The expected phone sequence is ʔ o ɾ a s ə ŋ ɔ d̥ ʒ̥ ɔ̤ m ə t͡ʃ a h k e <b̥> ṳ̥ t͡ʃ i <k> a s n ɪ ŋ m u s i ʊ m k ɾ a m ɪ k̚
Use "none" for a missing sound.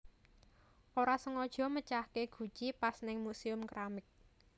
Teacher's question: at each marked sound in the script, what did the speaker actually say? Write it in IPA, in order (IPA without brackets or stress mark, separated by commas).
ɡ̥, p